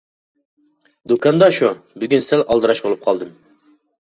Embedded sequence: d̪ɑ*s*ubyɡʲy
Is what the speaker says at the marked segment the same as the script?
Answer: no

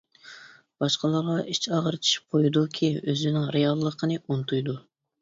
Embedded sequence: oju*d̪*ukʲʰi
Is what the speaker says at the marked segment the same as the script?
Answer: yes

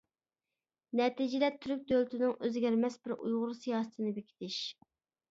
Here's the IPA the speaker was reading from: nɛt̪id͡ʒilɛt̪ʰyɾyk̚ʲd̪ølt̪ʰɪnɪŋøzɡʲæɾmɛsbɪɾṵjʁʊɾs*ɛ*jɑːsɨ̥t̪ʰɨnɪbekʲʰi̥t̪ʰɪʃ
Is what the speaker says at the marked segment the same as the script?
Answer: no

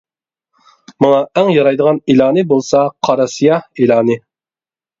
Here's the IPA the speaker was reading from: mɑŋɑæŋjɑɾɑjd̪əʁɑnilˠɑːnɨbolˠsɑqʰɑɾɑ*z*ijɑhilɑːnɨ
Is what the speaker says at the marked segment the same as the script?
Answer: no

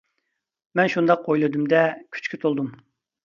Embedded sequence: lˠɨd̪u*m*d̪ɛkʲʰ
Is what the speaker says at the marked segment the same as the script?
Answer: yes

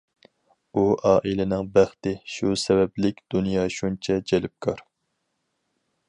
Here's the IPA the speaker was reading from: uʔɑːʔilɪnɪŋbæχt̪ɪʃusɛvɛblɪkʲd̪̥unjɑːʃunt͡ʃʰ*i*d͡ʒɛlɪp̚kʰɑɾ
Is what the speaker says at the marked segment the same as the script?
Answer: no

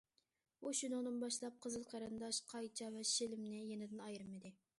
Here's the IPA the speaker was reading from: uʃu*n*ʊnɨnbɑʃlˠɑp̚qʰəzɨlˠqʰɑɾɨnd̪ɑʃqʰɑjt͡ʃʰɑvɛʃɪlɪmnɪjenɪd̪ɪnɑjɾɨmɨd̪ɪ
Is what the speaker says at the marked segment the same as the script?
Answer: yes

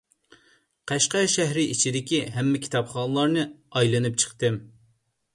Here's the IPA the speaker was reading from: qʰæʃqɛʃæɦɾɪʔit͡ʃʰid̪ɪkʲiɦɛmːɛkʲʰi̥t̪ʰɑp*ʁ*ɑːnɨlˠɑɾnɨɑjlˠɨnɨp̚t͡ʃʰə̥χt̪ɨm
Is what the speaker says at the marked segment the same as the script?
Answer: no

